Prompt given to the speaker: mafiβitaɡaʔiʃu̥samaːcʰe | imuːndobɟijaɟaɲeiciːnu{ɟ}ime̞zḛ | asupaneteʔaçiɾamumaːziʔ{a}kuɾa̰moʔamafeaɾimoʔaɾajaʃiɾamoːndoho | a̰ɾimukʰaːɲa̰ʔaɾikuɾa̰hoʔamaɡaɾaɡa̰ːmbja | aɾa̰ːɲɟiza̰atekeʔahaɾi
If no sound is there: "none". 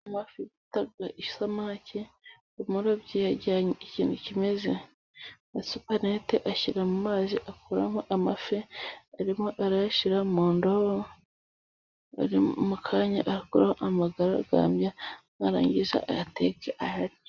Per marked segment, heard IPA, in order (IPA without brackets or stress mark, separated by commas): c, a